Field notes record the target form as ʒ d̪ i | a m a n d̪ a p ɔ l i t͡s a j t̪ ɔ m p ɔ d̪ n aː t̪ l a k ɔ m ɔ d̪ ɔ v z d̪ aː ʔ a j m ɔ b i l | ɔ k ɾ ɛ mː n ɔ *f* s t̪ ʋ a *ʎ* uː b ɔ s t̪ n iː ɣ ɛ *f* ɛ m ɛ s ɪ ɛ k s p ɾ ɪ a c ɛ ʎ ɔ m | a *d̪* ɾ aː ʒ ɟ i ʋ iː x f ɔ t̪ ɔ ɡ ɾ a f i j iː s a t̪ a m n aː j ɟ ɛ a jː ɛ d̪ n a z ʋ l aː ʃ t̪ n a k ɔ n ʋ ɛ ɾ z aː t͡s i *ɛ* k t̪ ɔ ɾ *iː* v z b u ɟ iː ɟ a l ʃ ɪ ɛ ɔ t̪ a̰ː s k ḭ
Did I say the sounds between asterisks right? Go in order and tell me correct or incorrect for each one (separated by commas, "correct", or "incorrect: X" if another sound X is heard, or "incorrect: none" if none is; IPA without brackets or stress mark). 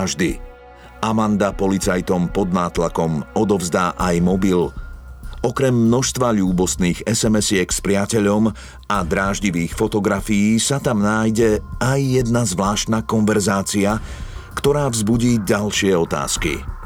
incorrect: ʃ, correct, incorrect: s, correct, incorrect: a, incorrect: aː